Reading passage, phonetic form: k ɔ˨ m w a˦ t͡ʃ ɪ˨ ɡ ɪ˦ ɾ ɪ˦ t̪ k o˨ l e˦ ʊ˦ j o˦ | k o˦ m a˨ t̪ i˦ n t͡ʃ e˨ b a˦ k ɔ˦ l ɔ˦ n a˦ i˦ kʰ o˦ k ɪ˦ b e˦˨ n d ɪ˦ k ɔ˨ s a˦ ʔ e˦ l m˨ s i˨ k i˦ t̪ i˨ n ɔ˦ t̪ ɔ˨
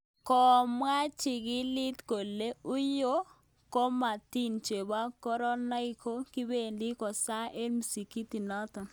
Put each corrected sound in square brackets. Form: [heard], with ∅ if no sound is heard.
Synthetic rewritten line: k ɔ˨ m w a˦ t͡ʃ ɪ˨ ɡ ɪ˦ [l] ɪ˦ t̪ k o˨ l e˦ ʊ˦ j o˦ | k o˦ m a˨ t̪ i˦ n t͡ʃ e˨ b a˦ k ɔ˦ [ɾ] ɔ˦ n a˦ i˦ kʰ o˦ k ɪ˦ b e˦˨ n d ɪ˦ k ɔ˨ s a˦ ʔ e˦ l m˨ s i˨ k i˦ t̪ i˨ n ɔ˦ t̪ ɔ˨